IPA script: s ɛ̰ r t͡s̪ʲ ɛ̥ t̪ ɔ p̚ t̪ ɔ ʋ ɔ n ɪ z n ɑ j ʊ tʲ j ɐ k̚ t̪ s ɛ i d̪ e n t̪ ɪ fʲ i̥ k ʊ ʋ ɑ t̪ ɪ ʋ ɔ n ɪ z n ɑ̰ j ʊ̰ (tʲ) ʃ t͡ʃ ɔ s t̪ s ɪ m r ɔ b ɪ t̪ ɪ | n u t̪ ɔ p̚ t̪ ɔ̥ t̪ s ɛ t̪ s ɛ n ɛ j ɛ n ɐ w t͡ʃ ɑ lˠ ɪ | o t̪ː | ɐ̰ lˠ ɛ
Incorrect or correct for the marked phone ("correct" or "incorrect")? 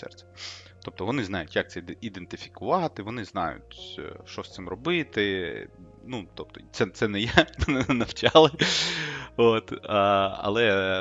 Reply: correct